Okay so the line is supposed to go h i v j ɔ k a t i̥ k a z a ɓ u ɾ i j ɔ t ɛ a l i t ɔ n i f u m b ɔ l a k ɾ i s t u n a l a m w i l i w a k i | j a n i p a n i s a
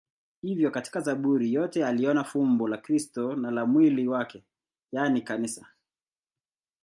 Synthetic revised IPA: h i v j ɔ k a t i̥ k a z a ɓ u ɾ i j ɔ t ɛ a l i ɔ n a f u m b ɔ l a k ɾ i s t ɔ n a l a m w i l i w a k ɛ | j a n i k a n i s a